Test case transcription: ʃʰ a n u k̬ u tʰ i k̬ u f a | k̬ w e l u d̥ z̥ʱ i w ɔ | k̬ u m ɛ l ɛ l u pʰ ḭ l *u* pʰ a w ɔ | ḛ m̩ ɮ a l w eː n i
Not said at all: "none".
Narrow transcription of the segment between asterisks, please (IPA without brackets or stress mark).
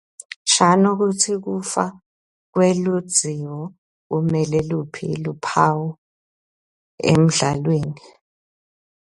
u